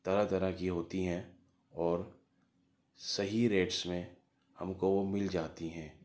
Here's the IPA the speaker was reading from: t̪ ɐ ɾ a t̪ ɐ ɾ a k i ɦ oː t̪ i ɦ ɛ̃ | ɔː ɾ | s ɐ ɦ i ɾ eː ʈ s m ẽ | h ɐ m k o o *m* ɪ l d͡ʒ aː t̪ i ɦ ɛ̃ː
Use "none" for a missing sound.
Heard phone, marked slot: m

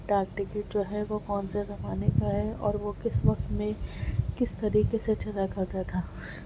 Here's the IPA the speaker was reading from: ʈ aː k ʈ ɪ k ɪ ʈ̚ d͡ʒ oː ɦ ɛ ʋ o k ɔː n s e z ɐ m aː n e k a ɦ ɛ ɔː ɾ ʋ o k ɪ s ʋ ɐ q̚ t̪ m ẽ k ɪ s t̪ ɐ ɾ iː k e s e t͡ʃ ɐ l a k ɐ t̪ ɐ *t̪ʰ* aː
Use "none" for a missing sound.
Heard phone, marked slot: t̪ʰ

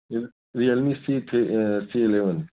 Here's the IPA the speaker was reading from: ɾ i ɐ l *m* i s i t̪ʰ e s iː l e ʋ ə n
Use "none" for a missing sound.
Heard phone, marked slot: m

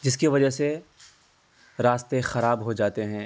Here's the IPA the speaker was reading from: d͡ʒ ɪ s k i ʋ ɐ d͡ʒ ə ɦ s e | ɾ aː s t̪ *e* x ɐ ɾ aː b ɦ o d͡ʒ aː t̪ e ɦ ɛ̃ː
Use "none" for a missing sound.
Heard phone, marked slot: e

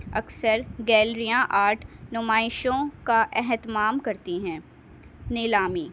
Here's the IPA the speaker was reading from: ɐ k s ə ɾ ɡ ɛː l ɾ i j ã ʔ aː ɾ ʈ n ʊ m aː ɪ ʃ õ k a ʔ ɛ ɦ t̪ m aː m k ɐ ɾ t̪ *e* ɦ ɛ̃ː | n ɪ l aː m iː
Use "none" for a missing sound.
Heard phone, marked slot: i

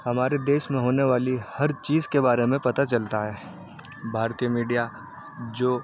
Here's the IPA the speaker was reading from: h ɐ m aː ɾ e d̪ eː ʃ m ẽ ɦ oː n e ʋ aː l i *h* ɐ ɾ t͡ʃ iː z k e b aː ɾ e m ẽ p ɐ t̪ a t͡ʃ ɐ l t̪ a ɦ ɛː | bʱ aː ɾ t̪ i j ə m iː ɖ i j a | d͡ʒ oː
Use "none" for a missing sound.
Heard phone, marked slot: h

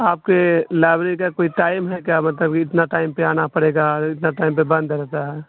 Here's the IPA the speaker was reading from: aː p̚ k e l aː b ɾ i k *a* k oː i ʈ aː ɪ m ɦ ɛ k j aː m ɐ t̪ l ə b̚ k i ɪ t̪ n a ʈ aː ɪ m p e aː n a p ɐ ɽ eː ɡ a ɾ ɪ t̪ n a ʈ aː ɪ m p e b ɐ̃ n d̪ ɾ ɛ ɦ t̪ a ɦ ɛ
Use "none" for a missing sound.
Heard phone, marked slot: a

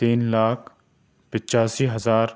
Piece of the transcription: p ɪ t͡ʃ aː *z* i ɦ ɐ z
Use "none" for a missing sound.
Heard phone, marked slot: s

